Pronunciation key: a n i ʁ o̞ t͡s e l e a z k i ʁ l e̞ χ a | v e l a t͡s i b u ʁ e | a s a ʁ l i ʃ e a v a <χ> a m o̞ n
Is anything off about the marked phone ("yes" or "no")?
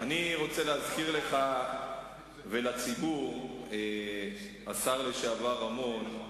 yes